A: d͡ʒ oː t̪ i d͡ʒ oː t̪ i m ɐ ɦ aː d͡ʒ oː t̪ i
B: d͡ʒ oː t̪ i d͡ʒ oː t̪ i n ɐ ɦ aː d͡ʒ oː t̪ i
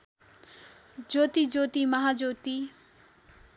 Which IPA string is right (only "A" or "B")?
A